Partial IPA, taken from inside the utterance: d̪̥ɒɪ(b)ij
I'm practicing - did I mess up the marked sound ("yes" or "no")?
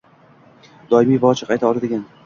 yes